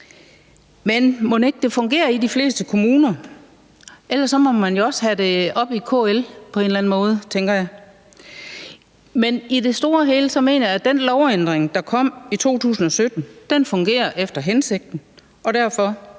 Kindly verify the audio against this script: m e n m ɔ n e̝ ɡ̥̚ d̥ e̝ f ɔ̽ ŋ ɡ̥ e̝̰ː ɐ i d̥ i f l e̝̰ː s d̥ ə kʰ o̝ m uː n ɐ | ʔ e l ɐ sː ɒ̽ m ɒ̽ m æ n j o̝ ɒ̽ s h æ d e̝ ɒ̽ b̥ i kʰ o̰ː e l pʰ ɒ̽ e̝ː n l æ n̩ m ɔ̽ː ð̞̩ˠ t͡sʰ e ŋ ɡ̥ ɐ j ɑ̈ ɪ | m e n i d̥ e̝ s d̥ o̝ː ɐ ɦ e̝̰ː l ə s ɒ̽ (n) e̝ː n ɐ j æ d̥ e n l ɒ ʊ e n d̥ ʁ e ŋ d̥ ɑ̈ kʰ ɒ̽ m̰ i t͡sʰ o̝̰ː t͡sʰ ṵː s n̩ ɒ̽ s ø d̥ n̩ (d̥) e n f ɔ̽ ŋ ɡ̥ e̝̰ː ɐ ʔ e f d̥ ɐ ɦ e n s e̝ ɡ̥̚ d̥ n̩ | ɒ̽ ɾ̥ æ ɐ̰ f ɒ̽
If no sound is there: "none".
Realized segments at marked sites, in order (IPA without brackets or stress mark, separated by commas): m, d̥